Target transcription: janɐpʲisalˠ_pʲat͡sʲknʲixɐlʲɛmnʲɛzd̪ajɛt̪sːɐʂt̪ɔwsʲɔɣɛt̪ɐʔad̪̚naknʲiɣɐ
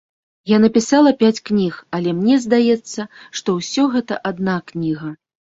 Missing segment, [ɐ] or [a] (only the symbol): ɐ